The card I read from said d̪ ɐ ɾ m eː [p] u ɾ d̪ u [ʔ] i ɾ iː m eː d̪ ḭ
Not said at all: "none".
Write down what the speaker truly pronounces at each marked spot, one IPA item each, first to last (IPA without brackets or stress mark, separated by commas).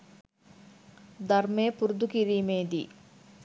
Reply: p, k